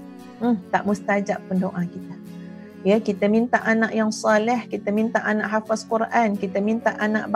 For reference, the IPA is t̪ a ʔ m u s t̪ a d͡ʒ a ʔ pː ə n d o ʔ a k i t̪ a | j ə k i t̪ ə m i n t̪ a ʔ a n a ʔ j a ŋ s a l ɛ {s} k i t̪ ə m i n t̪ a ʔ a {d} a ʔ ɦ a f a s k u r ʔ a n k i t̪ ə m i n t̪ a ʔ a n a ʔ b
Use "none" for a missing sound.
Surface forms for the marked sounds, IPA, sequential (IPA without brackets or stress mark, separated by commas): h, n